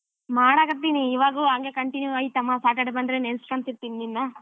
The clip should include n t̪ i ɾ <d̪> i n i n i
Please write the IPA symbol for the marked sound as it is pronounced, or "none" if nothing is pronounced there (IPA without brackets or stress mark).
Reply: t̪